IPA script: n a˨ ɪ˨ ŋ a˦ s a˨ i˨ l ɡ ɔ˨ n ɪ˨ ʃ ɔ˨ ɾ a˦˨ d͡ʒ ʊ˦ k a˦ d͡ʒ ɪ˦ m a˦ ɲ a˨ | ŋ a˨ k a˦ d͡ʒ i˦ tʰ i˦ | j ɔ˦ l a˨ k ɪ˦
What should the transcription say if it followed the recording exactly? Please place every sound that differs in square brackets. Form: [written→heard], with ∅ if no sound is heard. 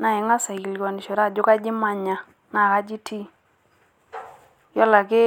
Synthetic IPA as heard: n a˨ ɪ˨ ŋ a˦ s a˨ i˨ l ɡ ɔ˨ n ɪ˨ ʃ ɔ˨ ɾ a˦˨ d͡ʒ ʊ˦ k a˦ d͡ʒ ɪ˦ m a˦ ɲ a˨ | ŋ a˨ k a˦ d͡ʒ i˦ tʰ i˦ | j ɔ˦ l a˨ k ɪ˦